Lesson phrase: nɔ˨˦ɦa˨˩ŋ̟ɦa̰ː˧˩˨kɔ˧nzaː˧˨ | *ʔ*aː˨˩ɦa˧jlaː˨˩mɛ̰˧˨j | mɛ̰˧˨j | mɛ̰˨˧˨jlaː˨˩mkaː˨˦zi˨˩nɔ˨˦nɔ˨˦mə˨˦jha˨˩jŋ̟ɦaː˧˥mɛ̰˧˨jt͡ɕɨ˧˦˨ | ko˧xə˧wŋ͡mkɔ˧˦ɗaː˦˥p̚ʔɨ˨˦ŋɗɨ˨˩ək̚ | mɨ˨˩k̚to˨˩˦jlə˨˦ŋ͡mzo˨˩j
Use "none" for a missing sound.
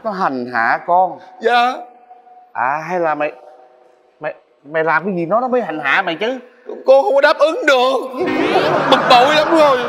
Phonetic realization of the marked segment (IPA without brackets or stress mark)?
ʔ